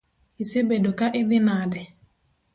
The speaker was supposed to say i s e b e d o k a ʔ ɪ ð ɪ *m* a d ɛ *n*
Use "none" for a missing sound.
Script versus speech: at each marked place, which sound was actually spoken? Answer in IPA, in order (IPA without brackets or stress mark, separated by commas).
n, none